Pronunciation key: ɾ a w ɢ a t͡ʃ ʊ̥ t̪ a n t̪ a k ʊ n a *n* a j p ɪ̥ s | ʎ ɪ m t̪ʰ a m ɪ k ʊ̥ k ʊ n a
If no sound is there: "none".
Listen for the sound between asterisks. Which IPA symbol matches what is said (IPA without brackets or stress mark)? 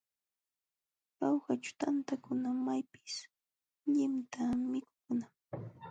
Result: m